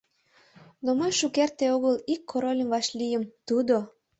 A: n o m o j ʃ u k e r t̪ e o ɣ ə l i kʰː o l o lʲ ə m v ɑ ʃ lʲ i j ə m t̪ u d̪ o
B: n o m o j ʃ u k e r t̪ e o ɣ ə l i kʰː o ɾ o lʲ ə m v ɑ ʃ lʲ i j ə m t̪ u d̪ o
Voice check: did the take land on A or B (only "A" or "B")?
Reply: B